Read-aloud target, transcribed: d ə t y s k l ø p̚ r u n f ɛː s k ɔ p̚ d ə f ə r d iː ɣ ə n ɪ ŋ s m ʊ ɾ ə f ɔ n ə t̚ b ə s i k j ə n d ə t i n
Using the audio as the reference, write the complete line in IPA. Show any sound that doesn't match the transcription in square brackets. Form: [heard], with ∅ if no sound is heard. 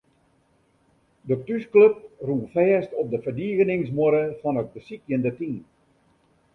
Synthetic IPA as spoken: d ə t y s k l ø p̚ r u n f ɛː s [t] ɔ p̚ d ə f ə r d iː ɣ ə n ɪ ŋ s m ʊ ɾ ə f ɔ n ə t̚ b ə s i k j ə n d ə t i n